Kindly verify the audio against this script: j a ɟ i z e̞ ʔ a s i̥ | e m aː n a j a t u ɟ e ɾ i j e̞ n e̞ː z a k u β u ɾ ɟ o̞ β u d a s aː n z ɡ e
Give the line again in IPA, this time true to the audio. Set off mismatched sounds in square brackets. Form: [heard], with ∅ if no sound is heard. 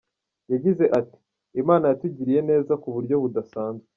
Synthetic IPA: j a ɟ i z e̞ ʔ a [t] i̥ | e m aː n a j a t u ɟ [i] ɾ i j e̞ n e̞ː z a k u β u ɾ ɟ o̞ β u d a s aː n z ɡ e